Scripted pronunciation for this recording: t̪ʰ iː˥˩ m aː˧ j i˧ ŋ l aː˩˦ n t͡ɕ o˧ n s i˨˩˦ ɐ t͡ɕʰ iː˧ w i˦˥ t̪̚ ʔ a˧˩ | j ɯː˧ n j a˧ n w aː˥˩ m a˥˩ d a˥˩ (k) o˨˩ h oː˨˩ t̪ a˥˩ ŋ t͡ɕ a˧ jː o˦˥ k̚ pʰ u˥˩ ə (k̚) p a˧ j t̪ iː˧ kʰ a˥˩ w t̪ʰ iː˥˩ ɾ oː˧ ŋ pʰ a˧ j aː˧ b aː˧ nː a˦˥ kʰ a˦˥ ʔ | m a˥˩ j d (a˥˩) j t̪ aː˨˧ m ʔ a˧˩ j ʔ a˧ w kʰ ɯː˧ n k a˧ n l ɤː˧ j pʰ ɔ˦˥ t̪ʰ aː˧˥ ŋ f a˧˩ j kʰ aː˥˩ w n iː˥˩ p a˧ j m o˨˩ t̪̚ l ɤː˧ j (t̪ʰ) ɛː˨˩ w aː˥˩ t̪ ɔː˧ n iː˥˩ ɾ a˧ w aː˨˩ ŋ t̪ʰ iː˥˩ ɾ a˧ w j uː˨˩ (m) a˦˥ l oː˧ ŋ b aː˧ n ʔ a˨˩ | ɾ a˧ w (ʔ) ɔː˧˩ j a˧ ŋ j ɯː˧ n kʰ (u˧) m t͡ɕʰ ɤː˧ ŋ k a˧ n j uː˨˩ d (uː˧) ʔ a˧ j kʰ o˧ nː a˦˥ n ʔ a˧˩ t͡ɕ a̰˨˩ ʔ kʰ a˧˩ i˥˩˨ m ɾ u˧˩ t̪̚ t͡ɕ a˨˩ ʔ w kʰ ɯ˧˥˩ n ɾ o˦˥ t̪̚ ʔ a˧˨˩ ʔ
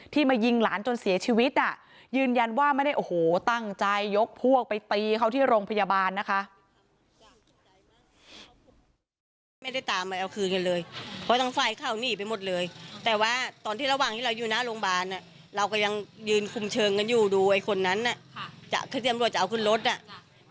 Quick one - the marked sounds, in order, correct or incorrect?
incorrect, correct, correct, incorrect, incorrect, incorrect, correct, correct

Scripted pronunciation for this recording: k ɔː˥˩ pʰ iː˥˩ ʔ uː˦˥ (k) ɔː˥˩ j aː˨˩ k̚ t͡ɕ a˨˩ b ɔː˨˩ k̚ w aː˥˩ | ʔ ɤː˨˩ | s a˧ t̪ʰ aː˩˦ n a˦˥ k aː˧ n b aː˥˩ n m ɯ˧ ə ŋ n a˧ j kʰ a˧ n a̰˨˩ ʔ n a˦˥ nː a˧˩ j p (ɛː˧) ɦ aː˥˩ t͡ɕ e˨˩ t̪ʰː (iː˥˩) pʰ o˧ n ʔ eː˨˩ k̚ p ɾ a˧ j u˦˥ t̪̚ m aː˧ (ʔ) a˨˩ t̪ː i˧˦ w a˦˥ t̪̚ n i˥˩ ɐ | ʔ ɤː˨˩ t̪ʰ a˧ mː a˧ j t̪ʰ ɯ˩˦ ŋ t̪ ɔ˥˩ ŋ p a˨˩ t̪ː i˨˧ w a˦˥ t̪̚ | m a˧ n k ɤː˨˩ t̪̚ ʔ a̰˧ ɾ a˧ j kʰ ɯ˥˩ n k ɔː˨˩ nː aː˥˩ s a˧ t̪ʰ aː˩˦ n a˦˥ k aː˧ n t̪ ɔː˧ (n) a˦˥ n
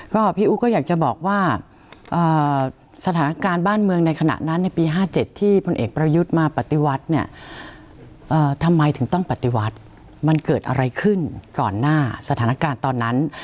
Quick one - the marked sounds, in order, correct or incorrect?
correct, incorrect, correct, incorrect, incorrect

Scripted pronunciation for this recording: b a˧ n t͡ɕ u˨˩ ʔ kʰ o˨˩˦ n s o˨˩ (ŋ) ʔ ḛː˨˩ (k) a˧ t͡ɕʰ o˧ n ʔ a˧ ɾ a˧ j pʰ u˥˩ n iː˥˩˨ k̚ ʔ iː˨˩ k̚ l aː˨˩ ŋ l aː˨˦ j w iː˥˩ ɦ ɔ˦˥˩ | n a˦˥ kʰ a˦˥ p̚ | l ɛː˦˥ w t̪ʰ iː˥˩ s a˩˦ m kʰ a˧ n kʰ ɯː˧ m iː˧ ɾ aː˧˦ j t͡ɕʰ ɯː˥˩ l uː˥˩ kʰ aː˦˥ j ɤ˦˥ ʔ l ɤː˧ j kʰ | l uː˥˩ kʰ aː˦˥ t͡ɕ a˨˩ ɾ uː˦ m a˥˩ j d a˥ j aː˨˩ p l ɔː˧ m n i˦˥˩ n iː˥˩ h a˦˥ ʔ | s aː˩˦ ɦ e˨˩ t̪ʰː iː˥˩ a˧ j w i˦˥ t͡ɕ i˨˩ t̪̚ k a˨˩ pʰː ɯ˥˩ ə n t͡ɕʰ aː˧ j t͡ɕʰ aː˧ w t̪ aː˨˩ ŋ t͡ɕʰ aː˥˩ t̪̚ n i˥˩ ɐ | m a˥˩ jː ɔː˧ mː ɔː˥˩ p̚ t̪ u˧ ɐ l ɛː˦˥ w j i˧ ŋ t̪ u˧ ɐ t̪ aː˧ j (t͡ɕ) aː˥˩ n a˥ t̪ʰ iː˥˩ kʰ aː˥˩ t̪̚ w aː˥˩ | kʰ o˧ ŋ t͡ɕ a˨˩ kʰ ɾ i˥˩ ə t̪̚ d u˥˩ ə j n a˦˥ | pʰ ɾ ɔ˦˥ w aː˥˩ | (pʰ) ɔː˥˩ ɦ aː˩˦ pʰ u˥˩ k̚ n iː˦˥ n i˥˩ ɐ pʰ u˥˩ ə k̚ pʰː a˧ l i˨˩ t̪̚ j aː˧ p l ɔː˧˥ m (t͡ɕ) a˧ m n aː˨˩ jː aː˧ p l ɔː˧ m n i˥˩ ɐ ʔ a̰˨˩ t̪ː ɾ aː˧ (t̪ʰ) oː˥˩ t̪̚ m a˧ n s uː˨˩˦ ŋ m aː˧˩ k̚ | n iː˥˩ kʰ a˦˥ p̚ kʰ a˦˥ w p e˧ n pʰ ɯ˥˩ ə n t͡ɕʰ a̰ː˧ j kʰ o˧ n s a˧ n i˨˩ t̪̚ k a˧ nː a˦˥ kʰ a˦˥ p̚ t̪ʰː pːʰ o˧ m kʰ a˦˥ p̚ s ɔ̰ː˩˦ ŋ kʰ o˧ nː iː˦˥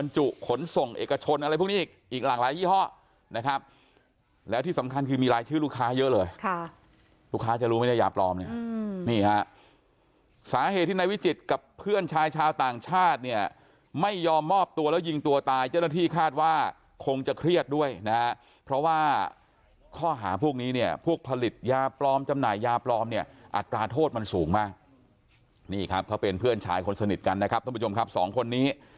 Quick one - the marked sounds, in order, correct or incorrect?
correct, correct, correct, incorrect, correct, correct

